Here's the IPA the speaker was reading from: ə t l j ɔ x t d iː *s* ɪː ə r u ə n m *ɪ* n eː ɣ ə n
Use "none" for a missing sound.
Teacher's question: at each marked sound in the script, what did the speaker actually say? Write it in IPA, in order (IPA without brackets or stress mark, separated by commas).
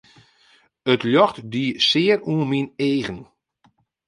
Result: s, i